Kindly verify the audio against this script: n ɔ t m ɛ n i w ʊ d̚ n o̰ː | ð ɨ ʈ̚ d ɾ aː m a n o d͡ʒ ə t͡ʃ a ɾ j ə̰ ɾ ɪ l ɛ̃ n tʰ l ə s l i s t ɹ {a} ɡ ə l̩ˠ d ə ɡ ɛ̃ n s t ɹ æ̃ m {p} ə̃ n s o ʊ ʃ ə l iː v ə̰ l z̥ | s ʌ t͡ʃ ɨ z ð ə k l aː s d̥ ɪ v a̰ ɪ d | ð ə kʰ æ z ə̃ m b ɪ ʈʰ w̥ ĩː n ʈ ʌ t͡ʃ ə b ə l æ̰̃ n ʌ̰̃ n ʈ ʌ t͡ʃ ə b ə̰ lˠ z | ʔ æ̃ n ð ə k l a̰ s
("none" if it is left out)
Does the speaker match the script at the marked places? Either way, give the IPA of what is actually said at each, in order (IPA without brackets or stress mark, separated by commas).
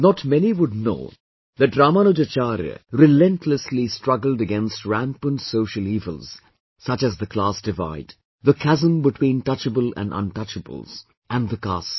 ʌ, p